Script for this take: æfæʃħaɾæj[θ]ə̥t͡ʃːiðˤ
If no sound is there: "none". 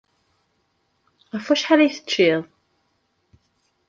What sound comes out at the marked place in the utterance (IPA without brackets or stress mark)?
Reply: θ